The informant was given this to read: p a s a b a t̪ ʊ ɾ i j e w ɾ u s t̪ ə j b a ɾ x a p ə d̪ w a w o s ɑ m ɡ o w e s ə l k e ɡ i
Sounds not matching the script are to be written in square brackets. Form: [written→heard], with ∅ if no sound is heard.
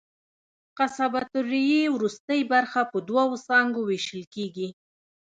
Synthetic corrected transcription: [p→q] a s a b a t̪ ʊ ɾ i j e w ɾ u s t̪ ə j b a ɾ x a p ə d̪ w a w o s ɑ [m→ŋ] ɡ o w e [s→ʃ] ə l k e ɡ i